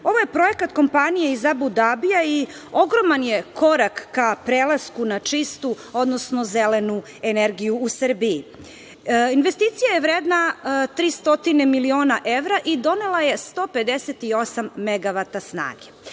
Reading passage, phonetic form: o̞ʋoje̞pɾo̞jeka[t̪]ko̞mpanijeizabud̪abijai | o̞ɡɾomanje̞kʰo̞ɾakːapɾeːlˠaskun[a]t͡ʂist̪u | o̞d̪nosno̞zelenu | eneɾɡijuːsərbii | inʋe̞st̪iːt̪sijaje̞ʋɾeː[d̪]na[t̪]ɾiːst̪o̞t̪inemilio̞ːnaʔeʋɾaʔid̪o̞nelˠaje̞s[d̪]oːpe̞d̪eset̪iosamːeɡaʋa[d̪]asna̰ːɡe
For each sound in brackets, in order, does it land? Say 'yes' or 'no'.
yes, yes, yes, yes, no, no

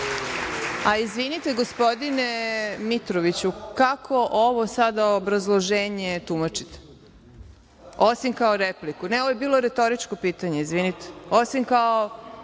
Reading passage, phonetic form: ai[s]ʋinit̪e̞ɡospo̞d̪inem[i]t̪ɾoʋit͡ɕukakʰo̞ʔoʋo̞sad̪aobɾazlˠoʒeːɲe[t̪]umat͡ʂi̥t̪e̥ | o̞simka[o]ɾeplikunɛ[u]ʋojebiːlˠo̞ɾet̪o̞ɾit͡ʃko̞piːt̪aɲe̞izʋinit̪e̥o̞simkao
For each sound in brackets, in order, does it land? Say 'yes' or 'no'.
no, yes, yes, yes, no

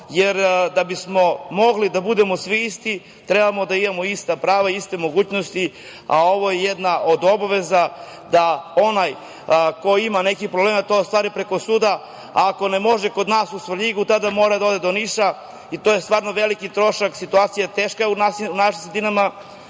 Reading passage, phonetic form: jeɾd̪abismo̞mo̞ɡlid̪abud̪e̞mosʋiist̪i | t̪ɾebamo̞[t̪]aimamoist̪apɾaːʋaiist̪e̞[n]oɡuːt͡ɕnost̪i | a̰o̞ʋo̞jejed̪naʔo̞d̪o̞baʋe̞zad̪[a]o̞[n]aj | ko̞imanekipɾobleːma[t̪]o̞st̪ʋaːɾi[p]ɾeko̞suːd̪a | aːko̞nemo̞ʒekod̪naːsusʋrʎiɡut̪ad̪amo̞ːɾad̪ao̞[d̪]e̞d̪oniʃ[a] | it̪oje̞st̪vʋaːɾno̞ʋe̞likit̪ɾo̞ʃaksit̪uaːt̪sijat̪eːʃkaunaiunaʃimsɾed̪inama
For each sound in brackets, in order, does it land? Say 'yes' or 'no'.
no, no, yes, yes, yes, yes, yes, yes

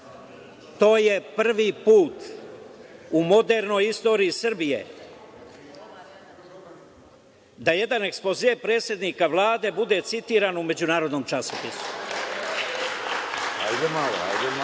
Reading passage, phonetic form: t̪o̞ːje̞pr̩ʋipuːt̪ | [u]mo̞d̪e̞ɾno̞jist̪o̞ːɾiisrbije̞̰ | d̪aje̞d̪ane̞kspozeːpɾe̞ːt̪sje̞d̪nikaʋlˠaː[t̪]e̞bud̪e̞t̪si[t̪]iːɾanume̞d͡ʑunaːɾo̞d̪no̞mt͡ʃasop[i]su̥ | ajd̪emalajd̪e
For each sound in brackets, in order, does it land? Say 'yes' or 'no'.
yes, no, yes, yes

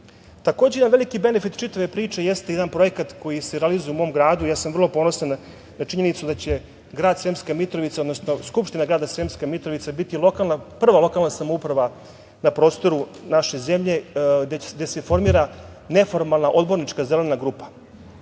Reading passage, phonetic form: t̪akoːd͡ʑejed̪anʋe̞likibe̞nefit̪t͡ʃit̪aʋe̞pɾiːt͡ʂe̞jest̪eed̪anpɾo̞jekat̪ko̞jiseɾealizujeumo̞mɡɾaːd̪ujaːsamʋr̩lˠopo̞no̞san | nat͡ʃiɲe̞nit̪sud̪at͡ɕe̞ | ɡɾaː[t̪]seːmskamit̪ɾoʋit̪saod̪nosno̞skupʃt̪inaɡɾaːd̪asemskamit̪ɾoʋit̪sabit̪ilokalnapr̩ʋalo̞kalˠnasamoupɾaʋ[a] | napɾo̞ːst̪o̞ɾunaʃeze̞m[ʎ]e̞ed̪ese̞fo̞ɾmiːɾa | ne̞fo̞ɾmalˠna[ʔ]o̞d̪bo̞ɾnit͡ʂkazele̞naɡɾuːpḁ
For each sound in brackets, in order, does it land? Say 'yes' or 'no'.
no, yes, yes, yes

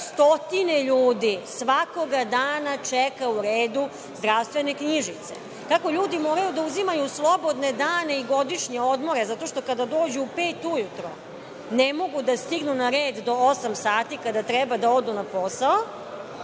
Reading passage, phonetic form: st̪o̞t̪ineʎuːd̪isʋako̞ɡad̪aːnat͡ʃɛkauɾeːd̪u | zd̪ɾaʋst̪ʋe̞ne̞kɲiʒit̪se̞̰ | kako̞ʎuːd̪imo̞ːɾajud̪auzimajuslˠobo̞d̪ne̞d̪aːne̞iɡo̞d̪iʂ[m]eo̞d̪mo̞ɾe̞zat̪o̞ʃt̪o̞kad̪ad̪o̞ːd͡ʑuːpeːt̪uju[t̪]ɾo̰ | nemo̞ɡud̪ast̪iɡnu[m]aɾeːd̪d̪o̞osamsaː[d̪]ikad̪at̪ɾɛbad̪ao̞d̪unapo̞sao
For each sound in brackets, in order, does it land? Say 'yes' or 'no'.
no, yes, no, no

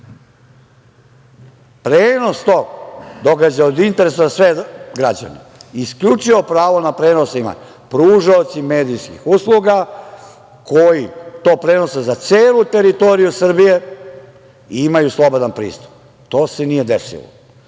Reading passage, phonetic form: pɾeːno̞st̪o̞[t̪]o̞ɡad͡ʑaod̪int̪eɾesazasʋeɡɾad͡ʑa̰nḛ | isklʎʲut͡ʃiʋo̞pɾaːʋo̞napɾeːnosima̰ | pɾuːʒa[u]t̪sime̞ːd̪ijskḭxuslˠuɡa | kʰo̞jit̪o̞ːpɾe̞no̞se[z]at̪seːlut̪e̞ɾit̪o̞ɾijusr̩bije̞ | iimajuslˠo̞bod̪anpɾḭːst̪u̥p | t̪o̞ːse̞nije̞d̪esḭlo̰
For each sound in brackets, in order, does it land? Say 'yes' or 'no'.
no, no, yes

